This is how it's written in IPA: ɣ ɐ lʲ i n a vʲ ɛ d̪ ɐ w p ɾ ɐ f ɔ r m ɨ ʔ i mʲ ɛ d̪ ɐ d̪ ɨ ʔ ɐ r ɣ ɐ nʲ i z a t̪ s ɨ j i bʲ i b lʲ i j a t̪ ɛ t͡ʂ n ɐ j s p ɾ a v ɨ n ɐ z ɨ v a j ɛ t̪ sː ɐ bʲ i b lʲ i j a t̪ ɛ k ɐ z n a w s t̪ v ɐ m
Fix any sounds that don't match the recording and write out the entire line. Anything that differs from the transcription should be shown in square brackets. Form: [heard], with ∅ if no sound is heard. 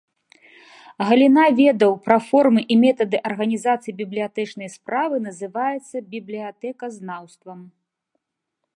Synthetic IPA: ɣ ɐ lʲ i n a vʲ ɛ d̪ ɐ w p ɾ ɐ f ɔ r m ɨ ʔ i mʲ ɛ [t̪] ɐ d̪ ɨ ʔ ɐ r ɣ ɐ nʲ i z a t̪ s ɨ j i bʲ i b lʲ i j a t̪ ɛ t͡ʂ n ɐ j s p ɾ a v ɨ n ɐ z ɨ v a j ɛ t̪ sː ɐ bʲ i b lʲ i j a t̪ ɛ k ɐ z n a w s t̪ v ɐ m

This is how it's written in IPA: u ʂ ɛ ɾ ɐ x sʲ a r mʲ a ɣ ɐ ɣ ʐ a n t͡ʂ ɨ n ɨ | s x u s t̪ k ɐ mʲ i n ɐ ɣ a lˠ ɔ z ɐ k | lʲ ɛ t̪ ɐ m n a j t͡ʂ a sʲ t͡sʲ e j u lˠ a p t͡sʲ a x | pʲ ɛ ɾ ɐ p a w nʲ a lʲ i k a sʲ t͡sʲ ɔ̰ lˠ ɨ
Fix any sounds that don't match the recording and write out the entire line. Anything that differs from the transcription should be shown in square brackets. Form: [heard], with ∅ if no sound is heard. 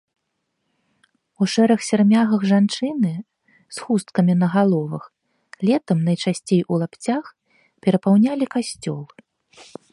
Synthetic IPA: u ʂ ɛ ɾ ɐ x sʲ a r mʲ a ɣ ɐ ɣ ʐ a n t͡ʂ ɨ n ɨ | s x u s t̪ k ɐ mʲ i n ɐ ɣ a lˠ ɔ [v] ɐ [x] | lʲ ɛ t̪ ɐ m n [ɐ] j t͡ʂ a sʲ t͡sʲ e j u lˠ a p t͡sʲ a x | pʲ ɛ ɾ ɐ p a w nʲ a lʲ i k a sʲ t͡sʲ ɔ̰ lˠ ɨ

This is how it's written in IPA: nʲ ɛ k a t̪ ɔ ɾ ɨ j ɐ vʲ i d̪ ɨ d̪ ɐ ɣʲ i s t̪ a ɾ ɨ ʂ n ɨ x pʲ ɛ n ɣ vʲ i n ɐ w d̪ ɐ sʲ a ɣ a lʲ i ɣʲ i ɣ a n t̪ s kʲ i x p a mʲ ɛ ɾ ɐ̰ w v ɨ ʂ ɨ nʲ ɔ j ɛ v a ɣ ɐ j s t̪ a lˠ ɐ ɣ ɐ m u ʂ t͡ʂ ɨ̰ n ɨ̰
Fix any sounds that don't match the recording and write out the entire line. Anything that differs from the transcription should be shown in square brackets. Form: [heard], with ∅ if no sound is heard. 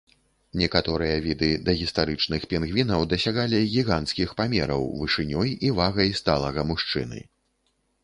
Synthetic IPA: nʲ ɛ k a t̪ ɔ ɾ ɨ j ɐ vʲ i d̪ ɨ d̪ ɐ ɣʲ i s t̪ a ɾ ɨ [t͡ʂ] n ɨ x pʲ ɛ n ɣ vʲ i n ɐ w d̪ ɐ sʲ a ɣ a lʲ i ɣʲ i ɣ a n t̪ s kʲ i x p a mʲ ɛ ɾ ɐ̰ w v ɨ ʂ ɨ nʲ ɔ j [i] v a ɣ ɐ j s t̪ a lˠ ɐ ɣ ɐ m u ʂ t͡ʂ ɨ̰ n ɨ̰

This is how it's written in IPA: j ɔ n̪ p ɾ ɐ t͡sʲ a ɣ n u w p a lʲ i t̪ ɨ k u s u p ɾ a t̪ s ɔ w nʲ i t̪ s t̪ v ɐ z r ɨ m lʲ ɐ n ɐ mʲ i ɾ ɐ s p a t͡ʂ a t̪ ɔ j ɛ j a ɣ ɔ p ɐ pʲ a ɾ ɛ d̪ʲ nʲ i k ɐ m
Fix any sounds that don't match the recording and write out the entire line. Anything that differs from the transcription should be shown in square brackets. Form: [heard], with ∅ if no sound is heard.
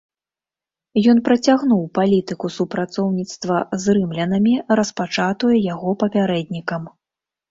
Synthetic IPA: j ɔ n̪ p ɾ ɐ t͡sʲ a ɣ n u w p a lʲ i t̪ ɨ k u s u p ɾ a t̪ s ɔ w nʲ i t̪ s t̪ v ɐ z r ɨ m lʲ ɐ n ɐ mʲ i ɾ ɐ s p a t͡ʂ a t̪ [u] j ɛ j a ɣ ɔ p ɐ pʲ a ɾ ɛ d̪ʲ nʲ i k ɐ m

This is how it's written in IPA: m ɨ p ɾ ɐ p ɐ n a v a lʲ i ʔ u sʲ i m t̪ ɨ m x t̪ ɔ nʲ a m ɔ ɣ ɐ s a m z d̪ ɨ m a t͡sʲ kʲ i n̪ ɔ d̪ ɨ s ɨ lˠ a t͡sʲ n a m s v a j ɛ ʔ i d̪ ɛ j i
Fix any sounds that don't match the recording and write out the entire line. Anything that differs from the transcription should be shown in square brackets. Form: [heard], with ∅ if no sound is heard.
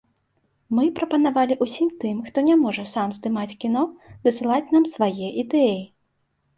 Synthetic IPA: m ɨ p ɾ ɐ p ɐ n a v a lʲ i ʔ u sʲ i m t̪ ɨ m x t̪ ɔ nʲ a m ɔ [ʐ] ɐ s a m z d̪ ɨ m a t͡sʲ kʲ i n̪ ɔ d̪ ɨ s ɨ lˠ a t͡sʲ n a m s v a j ɛ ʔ i d̪ ɛ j i

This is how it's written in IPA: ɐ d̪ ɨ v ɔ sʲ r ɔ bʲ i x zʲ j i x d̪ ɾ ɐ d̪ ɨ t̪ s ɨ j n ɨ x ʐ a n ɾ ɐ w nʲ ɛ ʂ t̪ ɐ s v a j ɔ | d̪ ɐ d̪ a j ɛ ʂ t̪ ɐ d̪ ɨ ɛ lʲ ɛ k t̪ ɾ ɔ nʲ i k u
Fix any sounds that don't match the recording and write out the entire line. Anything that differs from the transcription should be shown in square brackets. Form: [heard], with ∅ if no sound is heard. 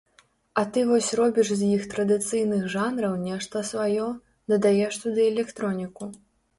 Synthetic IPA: ɐ [t̪] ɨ v ɔ sʲ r ɔ bʲ i [ʂ] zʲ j i x [t̪] ɾ ɐ d̪ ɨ t̪ s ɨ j n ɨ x ʐ a n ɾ ɐ w nʲ ɛ ʂ t̪ ɐ s v a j ɔ | d̪ ɐ d̪ a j ɛ ʂ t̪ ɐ d̪ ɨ ɛ lʲ ɛ k t̪ ɾ ɔ nʲ i k u

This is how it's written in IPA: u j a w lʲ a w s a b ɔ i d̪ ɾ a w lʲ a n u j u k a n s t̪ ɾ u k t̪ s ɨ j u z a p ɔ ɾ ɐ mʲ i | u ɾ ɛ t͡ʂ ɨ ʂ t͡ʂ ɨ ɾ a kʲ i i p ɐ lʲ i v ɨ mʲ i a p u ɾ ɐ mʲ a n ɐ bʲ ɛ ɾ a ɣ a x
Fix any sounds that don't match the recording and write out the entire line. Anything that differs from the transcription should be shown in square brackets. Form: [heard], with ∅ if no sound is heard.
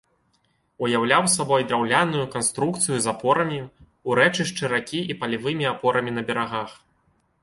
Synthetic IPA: u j a w lʲ a w s a b ɔ [j] d̪ ɾ a w lʲ a n u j u k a n s t̪ ɾ u k t̪ s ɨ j u z a p ɔ ɾ ɐ mʲ i | u ɾ ɛ t͡ʂ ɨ ʂ t͡ʂ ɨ ɾ a kʲ i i p ɐ lʲ i v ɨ mʲ i a p [ɔ] ɾ ɐ mʲ [i] n ɐ bʲ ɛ ɾ a ɣ a x

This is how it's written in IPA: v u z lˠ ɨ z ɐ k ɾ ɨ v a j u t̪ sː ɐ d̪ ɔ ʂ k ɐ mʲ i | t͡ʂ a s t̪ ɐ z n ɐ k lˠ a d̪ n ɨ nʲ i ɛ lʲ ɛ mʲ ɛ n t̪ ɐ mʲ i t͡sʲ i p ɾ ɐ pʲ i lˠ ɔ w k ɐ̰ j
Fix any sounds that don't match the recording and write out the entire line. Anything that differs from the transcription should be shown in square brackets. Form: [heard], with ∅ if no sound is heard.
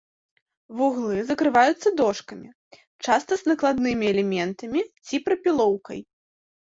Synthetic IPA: v u [ɣ] lˠ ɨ z ɐ k ɾ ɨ v a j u t̪ sː ɐ d̪ ɔ ʂ k ɐ mʲ i | t͡ʂ a s t̪ ɐ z n ɐ k lˠ a d̪ n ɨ [mʲ] i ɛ lʲ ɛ mʲ ɛ n t̪ ɐ mʲ i t͡sʲ i p ɾ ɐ pʲ i lˠ ɔ w k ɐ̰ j

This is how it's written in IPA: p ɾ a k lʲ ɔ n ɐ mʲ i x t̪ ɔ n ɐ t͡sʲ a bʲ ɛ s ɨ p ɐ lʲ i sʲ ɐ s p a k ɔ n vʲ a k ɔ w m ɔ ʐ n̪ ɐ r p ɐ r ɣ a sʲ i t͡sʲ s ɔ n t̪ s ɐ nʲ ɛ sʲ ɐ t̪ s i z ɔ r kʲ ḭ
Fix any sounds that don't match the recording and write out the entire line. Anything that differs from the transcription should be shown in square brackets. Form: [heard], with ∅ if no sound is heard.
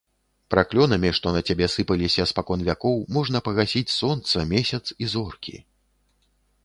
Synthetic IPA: p ɾ a k lʲ ɔ n ɐ mʲ i [ʂ] t̪ ɔ n ɐ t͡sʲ a bʲ ɛ s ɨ p ɐ lʲ i sʲ ɐ s p a k ɔ n vʲ a k ɔ w m ɔ ʐ n̪ ɐ [∅] p ɐ [∅] ɣ a sʲ i t͡sʲ s ɔ n t̪ s ɐ [mʲ] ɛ sʲ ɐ t̪ s i z ɔ r kʲ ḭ

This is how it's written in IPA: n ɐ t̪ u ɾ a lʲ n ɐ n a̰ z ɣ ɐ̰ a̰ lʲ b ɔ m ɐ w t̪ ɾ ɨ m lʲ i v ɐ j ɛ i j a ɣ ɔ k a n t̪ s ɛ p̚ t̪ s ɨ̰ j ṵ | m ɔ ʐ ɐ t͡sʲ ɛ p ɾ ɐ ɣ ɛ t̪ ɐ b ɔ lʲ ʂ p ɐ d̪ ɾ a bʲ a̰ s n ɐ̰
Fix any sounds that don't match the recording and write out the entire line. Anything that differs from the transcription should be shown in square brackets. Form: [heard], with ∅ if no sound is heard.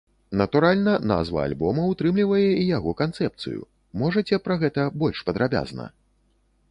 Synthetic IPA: n ɐ t̪ u ɾ a lʲ n ɐ n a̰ z [v] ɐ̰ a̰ lʲ b ɔ m ɐ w t̪ ɾ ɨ m lʲ i v ɐ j ɛ i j a ɣ ɔ k a n t̪ s ɛ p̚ t̪ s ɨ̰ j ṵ | m ɔ ʐ ɐ t͡sʲ ɛ p ɾ ɐ ɣ ɛ t̪ ɐ b ɔ lʲ ʂ p ɐ d̪ ɾ a bʲ a̰ [z] n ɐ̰

